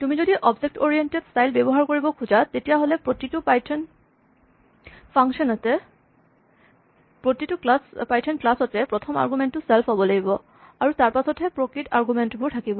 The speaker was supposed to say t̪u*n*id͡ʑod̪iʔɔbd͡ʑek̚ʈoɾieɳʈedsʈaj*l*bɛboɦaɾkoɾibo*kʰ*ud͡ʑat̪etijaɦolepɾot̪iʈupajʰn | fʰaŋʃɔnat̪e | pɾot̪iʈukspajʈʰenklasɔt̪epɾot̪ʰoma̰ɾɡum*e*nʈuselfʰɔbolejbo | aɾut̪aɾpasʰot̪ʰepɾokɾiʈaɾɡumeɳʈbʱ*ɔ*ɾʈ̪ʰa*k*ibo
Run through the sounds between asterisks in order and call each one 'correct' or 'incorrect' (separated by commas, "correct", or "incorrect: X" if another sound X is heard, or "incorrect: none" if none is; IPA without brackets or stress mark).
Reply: incorrect: m, correct, correct, correct, incorrect: u, correct